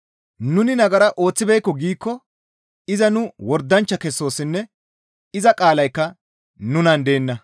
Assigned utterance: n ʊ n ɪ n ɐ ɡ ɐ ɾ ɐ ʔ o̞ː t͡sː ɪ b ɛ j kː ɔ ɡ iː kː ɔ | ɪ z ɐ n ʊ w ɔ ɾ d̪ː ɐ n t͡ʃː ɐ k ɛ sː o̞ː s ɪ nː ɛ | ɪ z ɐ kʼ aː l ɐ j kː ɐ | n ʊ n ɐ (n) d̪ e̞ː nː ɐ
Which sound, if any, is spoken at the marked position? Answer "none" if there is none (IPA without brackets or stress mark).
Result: n